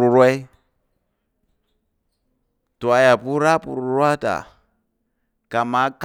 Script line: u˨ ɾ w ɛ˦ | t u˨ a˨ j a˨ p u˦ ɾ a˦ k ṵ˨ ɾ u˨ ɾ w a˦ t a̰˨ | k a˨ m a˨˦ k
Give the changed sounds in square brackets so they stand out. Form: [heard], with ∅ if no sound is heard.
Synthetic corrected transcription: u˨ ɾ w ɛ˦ | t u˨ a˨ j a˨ p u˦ ɾ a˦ [p] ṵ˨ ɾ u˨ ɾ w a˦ t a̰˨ | k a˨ m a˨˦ k

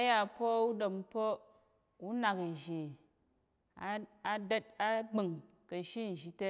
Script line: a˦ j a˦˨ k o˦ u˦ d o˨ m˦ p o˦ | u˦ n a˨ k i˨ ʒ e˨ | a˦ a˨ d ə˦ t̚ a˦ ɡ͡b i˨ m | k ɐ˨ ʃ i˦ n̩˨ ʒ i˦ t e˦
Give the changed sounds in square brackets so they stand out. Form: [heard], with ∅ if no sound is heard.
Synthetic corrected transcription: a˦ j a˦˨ [p] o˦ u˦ d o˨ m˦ p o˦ | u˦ n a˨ k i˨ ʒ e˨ | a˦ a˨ d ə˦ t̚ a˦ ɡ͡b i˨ [ŋ] | k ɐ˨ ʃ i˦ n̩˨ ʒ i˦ t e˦

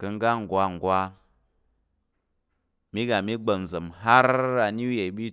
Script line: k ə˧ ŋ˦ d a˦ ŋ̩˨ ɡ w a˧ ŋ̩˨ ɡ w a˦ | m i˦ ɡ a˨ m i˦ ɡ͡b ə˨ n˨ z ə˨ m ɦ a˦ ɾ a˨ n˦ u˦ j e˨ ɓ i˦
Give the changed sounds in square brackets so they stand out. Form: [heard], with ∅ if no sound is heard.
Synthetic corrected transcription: k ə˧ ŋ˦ [ɡ] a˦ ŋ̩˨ ɡ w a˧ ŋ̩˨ ɡ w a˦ | m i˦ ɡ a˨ m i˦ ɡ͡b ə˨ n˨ z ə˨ m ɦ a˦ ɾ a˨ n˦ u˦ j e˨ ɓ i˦

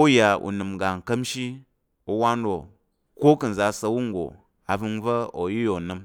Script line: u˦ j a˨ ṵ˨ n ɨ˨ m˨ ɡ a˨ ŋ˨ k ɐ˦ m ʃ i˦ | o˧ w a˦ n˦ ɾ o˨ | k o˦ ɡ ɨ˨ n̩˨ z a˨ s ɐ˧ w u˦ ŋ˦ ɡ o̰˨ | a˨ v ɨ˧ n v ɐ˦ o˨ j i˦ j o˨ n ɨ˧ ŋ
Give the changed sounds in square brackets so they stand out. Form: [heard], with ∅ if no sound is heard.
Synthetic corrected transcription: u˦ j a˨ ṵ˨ n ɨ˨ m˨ ɡ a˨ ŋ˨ k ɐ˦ m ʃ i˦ | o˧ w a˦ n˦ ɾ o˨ | k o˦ [k] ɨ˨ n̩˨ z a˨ s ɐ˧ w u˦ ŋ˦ ɡ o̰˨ | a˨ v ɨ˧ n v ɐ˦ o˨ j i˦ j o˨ n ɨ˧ [m]

